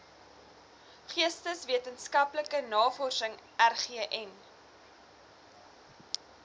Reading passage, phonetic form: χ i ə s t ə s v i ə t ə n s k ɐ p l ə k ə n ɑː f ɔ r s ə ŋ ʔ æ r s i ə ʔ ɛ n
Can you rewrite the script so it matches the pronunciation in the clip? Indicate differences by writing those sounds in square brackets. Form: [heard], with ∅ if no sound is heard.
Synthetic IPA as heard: χ i ə s t ə s v i ə t ə n s k ɐ p l ə k ə n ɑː f ɔ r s ə ŋ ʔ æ r [χ] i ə ʔ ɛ n